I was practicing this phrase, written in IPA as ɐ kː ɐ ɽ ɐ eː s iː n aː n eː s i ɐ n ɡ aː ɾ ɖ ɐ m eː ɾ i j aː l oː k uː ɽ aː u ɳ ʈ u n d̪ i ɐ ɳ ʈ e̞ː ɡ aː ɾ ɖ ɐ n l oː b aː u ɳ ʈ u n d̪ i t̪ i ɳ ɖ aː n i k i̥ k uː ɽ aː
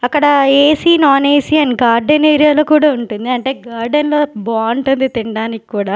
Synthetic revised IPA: ɐ kː ɐ ɽ ɐ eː s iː n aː n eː s i ɐ n ɡ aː ɾ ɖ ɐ n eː ɾ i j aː l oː k uː ɽ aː u ɳ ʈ u n d̪ i ɐ ɳ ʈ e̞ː ɡ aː ɾ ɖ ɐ n l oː b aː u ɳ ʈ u n d̪ i t̪ i ɳ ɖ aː n i k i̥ k uː ɽ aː

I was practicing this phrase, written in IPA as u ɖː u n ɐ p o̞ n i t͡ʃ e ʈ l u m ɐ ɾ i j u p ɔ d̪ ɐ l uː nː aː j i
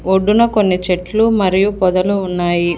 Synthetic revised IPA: o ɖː u n ɐ k o̞ nː i t͡ʃ e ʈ l u m ɐ ɾ i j u p ɔ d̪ ɐ l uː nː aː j i

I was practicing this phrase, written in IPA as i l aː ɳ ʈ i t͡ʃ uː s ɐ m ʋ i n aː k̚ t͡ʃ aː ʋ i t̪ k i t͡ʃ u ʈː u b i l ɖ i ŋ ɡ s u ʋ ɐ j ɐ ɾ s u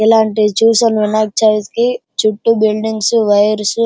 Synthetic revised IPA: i l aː ɳ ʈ i t͡ʃ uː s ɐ n ʋ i n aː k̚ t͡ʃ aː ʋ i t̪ k i t͡ʃ u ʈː u b i l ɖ i ŋ ɡ s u ʋ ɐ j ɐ ɾ s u

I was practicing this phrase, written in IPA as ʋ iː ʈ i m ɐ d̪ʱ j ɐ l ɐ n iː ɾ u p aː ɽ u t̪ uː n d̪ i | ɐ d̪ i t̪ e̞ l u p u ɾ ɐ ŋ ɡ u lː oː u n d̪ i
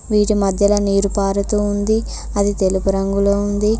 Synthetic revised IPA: ʋ iː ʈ i m ɐ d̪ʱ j ɐ l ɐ n iː ɾ u p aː ɾ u t̪ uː n d̪ i | ɐ d̪ i t̪ e̞ l u p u ɾ ɐ ŋ ɡ u l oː u n d̪ i

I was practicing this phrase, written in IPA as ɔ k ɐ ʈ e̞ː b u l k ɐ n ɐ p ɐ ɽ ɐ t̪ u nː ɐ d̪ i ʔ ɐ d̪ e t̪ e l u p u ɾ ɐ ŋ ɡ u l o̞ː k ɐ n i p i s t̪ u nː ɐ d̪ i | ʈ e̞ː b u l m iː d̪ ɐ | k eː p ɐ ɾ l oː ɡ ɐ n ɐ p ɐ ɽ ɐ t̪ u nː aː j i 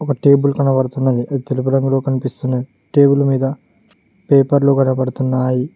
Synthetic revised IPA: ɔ k ɐ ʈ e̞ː b u l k ɐ n ɐ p ɐ ɽ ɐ t̪ u nː ɐ d̪ i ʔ ɐ d̪ i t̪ e l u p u ɾ ɐ ŋ ɡ u l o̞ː k ɐ n i p i s t̪ u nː ɐ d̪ i | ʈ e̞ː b u l m iː d̪ ɐ | p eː p ɐ ɾ l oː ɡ ɐ n ɐ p ɐ ɽ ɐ t̪ u nː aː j i

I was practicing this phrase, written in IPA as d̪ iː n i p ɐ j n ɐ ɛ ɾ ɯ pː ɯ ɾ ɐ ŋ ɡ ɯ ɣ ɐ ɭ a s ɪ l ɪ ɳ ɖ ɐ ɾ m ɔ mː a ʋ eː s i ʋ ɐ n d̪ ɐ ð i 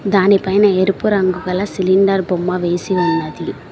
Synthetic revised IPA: d̪ aː n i p ɐ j n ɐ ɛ ɾ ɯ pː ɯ ɾ ɐ ŋ ɡ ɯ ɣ ɐ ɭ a s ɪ l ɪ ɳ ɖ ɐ ɾ b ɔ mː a ʋ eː s i ʋ ɐ n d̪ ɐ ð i

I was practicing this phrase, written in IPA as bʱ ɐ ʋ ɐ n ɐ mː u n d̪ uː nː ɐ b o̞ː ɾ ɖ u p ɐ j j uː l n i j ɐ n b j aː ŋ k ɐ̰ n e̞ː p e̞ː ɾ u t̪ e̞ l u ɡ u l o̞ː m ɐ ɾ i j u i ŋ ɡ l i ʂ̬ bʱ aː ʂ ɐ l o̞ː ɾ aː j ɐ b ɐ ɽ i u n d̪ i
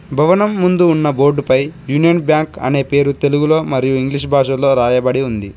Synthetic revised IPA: bʱ ɐ ʋ ɐ n ɐ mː u n d̪ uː nː ɐ b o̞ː ɾ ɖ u p ɐ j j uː n i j ɐ n b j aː ŋ k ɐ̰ n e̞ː p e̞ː ɾ u t̪ e̞ l u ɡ u l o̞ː m ɐ ɾ i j u i ŋ ɡ l i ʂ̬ bʱ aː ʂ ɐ l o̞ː ɾ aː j ɐ b ɐ ɽ i u n d̪ i

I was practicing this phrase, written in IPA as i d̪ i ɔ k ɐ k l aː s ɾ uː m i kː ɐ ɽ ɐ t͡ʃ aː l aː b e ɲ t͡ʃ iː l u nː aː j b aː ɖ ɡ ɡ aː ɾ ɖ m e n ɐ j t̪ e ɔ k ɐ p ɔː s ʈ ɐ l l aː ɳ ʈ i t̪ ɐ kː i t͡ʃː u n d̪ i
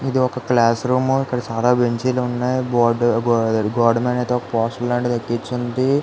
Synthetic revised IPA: i d̪ i ɔ k ɐ k l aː s ɾ uː m i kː ɐ ɽ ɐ t͡ʃ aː l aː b e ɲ t͡ʃ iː l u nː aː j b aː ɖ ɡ ɡ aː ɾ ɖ m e n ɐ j t̪ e ɔ k ɐ p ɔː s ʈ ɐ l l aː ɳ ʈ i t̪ ɐ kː i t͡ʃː u n d̪ i

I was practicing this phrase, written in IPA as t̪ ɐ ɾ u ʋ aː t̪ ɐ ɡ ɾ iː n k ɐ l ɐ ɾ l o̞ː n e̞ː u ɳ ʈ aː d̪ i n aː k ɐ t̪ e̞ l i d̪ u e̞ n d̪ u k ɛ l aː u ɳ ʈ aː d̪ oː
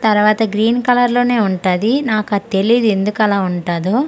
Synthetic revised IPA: t̪ ɐ ɾ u ʋ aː t̪ ɐ ɡ ɾ iː n k ɐ l ɐ ɾ l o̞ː n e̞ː u ɳ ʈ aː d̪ i n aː k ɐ t̪ e̞ l i d̪ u e̞ n d̪ u k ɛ l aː u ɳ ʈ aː d̪ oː

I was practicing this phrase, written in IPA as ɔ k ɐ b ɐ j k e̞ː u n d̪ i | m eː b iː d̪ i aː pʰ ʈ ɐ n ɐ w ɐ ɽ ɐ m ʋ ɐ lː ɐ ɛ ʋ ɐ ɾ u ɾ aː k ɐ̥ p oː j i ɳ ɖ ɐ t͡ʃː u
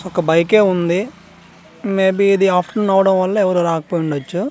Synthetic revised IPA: ɔ k ɐ b ɐ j k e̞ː u n d̪ i | m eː b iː d̪ i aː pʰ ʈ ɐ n ɐ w ɐ ɽ ɐ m ʋ ɐ lː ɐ ɛ ʋ ɐ ɾ u ɾ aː k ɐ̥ p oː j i ɳ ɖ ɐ t͡ʃː u

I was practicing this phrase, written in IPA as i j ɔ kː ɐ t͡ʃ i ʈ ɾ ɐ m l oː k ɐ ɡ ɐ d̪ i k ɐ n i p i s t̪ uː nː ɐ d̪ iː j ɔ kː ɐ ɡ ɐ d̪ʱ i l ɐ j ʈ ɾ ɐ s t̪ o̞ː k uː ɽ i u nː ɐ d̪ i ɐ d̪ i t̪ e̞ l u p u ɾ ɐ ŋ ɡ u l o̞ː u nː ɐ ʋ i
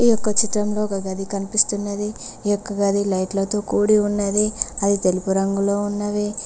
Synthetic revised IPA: i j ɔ kː ɐ t͡ʃ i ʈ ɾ ɐ m l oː k ɐ ɡ ɐ d̪ i k ɐ n i p i s t̪ u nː ɐ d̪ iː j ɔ kː ɐ ɡ ɐ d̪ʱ i l ɐ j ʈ l ɐ t̪ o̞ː k uː ɽ i u nː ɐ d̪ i ɐ d̪ i t̪ e̞ l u p u ɾ ɐ ŋ ɡ u l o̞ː u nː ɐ ʋ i

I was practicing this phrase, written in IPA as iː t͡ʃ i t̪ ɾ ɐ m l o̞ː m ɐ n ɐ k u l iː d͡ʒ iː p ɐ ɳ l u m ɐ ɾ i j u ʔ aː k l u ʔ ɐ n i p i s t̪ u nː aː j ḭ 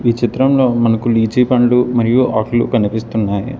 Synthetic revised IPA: iː t͡ʃ i t̪ ɾ ɐ m l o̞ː m ɐ n ɐ k u l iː d͡ʒ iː p ɐ ɳ l u m ɐ ɾ i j u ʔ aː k l u k ɐ n i p i s t̪ u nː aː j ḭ

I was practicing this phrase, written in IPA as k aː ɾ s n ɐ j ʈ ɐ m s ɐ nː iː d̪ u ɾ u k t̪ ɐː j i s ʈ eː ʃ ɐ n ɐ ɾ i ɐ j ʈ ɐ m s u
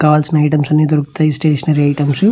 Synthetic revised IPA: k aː l s n ɐ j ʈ ɐ m s ɐ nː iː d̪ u ɾ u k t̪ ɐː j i s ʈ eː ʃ ɐ n ɐ ɾ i ɐ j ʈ ɐ m s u

